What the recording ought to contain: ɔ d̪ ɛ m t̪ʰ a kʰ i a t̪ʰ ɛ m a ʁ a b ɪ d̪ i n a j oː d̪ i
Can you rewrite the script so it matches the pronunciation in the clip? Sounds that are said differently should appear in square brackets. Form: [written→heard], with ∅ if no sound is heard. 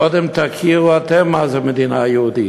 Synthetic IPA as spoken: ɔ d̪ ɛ m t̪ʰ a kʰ i a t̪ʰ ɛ m a [ʁ→z] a [b→m] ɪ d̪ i n a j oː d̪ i